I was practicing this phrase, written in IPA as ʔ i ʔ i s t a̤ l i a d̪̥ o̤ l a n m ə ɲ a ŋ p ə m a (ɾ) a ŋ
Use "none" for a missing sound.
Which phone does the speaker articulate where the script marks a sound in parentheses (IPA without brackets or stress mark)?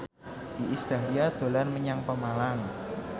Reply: l